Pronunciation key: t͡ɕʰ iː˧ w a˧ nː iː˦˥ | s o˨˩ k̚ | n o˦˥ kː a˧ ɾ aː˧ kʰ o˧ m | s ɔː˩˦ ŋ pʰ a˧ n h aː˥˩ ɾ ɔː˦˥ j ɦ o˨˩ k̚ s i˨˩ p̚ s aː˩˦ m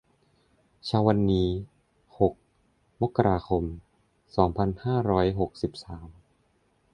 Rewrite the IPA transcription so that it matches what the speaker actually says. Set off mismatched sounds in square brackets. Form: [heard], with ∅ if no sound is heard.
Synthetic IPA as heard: t͡ɕʰ [aː˧] w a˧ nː iː˦˥ | [h] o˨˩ k̚ | [m] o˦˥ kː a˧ ɾ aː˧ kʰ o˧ m | s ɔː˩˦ ŋ pʰ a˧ n h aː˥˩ ɾ ɔː˦˥ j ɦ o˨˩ k̚ s i˨˩ p̚ s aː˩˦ m